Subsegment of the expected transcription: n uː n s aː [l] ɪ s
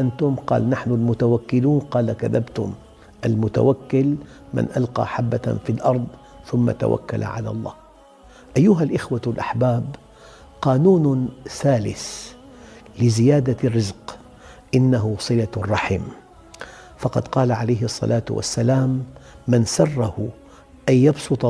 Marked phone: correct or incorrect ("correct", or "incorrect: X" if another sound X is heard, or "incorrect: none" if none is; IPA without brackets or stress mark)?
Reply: correct